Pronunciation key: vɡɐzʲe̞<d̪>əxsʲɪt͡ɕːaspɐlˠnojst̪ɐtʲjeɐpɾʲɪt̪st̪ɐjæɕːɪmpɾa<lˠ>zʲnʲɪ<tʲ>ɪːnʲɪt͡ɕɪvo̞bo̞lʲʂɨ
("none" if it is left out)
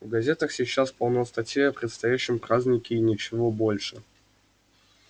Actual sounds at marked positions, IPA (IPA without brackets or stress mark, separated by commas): t̪, none, kʲ